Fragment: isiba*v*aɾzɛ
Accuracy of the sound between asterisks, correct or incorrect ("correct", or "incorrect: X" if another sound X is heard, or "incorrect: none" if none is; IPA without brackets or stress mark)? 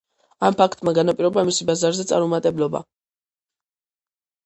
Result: incorrect: z